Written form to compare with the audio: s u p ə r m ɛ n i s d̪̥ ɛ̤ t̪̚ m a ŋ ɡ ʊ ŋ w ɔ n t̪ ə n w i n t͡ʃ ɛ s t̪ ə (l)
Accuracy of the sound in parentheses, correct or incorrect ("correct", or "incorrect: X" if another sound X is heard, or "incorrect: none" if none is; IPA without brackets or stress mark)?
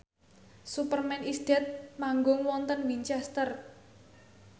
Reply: incorrect: r